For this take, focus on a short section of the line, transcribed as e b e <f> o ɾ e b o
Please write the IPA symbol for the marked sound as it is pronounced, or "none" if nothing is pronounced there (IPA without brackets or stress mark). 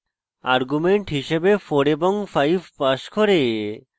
f